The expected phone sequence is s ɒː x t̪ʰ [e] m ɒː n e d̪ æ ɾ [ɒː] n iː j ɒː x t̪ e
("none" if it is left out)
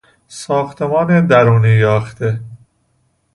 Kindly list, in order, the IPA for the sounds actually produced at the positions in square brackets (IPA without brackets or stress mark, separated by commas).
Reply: e, uː